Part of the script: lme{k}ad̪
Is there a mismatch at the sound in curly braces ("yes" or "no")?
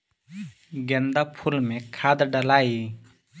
yes